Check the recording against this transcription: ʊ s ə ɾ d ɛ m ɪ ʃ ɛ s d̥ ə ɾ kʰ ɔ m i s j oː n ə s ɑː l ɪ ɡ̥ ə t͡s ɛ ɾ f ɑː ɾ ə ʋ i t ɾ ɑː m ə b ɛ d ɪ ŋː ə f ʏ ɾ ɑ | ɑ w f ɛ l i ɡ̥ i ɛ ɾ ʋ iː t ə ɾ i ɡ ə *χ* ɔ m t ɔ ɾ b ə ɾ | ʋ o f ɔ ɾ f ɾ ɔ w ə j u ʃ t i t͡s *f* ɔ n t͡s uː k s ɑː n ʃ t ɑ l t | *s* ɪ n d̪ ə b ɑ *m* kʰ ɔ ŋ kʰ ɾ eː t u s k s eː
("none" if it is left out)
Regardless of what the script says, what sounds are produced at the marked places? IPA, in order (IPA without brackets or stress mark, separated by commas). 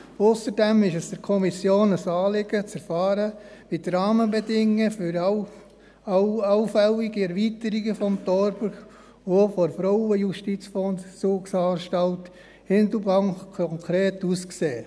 f, f, h, ŋ